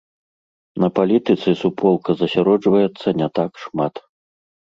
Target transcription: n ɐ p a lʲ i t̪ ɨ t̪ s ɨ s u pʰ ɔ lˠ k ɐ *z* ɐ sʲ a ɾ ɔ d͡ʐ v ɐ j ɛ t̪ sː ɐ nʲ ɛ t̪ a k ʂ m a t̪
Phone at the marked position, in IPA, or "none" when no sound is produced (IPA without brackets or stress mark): z